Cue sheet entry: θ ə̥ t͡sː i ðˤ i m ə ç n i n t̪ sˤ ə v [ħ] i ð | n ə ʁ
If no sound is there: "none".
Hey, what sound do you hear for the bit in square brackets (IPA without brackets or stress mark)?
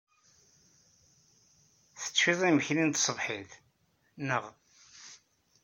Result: ħ